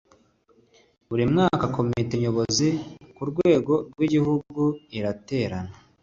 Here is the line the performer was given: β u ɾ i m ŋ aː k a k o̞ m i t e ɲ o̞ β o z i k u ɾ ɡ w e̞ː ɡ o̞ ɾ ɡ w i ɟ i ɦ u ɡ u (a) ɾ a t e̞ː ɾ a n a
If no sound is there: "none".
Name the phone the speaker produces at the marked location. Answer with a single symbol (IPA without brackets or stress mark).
i